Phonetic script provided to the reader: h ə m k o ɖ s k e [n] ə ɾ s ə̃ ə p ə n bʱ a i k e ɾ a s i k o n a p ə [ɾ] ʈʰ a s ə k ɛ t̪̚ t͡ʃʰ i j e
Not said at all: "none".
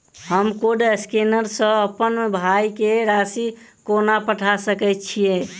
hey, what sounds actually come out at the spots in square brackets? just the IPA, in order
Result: n, none

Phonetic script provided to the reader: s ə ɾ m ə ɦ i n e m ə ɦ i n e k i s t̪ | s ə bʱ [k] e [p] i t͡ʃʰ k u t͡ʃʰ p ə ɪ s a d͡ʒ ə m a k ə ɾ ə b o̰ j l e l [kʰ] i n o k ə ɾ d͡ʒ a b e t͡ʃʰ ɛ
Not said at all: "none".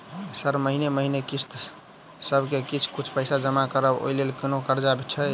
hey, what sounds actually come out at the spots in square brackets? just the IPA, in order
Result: k, k, k

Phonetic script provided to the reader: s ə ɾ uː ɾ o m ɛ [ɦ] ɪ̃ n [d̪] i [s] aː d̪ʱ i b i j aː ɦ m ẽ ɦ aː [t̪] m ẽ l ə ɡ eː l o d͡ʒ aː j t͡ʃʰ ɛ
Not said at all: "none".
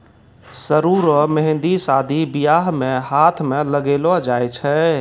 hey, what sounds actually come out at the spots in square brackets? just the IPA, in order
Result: ɦ, d̪, s, t̪ʰ

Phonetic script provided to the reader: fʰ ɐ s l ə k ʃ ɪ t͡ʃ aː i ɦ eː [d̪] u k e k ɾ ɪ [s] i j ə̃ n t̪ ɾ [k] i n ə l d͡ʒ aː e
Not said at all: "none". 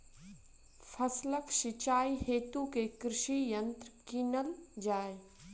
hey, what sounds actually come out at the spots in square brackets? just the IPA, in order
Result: t̪, ʃ, k

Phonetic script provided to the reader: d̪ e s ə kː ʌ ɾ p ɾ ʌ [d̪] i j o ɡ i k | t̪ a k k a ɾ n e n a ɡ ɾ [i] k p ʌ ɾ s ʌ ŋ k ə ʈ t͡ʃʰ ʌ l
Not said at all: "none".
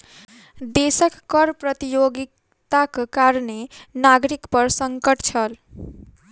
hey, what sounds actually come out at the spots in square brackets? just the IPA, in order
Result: t̪, i

